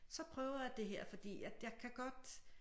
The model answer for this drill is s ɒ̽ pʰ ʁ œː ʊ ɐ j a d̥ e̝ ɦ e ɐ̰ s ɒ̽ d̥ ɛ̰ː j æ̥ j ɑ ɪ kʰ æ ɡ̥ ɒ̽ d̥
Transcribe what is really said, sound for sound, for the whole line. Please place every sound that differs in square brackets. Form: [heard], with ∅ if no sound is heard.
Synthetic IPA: s ɒ̽ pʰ ʁ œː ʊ ɐ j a d̥ e̝ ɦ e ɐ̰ [f] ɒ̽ d̥ [ḭː] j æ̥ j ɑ ɪ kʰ æ ɡ̥ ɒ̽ d̥